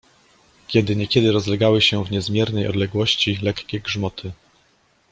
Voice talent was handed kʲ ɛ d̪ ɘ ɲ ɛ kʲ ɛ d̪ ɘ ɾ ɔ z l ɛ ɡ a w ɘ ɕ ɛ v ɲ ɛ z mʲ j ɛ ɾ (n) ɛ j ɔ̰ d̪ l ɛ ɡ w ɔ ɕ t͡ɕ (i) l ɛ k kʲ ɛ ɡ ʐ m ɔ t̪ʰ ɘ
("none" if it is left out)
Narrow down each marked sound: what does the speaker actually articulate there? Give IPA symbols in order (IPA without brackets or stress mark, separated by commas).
n, i